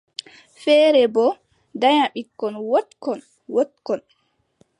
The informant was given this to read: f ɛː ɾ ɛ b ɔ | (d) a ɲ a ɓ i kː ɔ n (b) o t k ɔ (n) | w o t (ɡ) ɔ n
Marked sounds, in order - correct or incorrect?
correct, incorrect: w, correct, incorrect: k

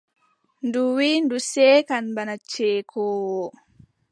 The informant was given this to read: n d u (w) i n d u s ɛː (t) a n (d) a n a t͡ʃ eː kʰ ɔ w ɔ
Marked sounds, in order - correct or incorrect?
correct, incorrect: k, incorrect: b

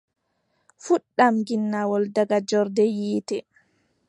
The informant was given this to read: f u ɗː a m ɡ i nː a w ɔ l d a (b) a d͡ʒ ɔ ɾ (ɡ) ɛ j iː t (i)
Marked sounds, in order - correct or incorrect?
incorrect: ɡ, incorrect: d, incorrect: ɛ

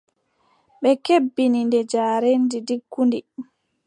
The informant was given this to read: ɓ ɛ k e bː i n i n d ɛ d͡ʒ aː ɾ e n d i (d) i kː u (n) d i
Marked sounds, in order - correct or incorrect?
correct, correct

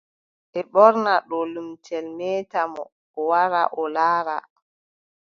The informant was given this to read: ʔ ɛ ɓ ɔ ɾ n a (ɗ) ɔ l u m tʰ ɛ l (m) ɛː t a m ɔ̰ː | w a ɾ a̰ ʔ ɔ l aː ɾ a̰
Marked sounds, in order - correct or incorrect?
correct, correct

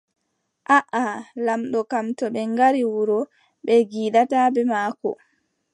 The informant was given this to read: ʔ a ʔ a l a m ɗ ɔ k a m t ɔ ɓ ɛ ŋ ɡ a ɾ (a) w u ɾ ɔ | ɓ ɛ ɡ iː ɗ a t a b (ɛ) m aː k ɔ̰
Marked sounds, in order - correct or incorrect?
incorrect: i, correct

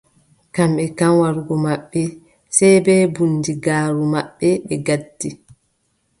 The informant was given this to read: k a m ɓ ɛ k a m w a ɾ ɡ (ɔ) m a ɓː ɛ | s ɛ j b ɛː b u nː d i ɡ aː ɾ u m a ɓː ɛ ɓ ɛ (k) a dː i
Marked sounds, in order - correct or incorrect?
correct, incorrect: ɡ

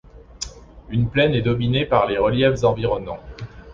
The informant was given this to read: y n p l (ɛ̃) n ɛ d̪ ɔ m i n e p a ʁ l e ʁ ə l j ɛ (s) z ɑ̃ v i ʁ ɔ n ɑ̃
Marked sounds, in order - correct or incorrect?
incorrect: ɛ, incorrect: f

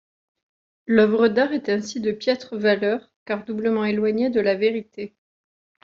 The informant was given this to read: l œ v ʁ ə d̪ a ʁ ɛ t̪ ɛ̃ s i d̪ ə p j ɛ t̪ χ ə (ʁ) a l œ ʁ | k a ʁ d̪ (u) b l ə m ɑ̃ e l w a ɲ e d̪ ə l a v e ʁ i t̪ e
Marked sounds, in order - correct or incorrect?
incorrect: v, correct

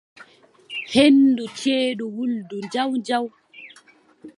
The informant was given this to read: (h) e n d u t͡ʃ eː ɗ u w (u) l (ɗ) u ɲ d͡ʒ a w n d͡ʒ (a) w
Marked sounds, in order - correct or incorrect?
correct, correct, incorrect: d, correct

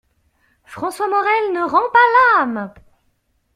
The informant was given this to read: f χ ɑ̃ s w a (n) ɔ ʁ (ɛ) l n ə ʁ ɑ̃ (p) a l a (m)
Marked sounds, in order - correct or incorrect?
incorrect: m, correct, correct, correct

